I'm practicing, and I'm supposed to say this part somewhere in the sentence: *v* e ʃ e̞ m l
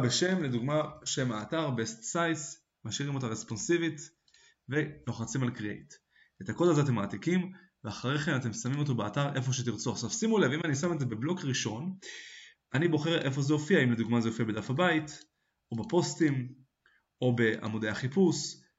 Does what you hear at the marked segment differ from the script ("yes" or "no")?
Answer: yes